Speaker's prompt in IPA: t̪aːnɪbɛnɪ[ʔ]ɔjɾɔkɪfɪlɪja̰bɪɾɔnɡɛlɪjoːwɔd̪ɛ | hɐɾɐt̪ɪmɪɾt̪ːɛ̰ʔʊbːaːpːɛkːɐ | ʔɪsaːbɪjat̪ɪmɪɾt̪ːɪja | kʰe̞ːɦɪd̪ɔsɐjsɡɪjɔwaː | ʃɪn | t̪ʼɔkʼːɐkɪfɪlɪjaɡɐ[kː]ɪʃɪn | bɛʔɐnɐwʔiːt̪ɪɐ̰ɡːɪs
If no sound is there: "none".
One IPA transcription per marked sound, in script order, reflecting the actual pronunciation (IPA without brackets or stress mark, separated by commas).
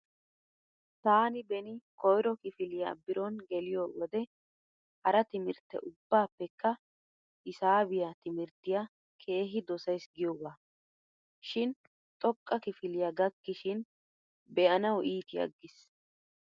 k, kː